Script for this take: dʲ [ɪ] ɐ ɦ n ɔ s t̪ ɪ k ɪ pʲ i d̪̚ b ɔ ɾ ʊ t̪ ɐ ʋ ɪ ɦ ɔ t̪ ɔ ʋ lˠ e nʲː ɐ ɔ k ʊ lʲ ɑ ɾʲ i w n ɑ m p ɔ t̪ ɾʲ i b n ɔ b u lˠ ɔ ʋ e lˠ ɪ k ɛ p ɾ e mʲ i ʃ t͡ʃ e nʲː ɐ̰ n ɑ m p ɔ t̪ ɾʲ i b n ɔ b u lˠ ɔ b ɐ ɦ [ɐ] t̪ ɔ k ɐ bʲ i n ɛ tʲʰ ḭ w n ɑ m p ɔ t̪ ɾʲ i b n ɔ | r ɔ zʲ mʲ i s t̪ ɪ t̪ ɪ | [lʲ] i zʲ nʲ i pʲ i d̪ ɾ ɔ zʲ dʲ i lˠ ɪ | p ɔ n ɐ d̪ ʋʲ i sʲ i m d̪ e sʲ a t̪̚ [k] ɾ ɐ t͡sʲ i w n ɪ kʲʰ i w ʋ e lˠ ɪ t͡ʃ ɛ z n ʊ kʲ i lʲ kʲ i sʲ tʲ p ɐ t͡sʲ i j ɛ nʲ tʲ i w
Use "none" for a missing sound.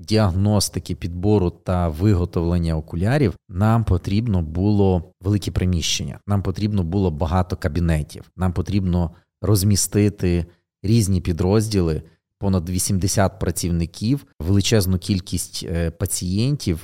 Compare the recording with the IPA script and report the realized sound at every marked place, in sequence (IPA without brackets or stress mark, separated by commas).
i, ɑ, ɾʲ, p